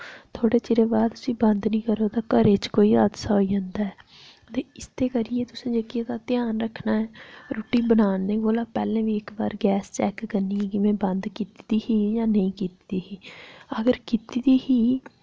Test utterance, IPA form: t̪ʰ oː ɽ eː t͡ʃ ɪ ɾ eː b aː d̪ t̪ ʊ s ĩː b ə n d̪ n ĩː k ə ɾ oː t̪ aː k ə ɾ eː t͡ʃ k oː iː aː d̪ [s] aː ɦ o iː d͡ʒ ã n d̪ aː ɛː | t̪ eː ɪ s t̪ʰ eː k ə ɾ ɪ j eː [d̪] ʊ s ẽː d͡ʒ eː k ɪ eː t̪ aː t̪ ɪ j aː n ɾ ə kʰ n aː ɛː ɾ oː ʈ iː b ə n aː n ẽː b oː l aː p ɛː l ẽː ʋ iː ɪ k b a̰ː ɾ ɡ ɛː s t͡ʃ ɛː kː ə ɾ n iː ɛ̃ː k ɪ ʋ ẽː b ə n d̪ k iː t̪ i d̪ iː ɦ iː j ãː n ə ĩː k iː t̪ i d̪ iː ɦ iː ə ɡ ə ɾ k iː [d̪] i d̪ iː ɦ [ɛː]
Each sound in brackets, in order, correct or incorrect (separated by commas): correct, incorrect, incorrect, incorrect